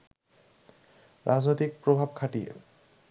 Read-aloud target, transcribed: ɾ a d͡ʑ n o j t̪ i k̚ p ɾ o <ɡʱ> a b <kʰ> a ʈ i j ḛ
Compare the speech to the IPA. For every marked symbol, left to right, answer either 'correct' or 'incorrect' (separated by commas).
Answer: incorrect, correct